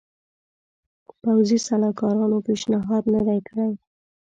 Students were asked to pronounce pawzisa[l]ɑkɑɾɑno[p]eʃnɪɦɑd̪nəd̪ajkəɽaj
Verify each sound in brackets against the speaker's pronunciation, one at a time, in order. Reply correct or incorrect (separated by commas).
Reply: correct, correct